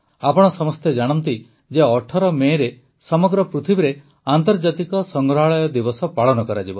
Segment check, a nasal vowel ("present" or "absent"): absent